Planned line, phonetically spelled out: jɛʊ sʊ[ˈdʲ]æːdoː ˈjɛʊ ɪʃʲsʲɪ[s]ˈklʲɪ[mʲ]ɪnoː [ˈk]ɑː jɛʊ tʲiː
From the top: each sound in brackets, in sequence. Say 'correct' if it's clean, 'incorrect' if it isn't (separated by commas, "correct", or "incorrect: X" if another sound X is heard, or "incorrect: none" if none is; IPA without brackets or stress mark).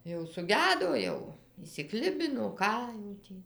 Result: incorrect: ɡʲ, incorrect: none, incorrect: bʲ, correct